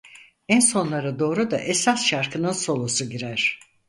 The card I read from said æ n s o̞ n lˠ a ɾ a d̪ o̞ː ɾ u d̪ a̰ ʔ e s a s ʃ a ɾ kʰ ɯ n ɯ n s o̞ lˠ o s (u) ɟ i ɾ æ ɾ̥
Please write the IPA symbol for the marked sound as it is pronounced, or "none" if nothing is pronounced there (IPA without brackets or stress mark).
u